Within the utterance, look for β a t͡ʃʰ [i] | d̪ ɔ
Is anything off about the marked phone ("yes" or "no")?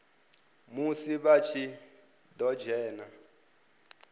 no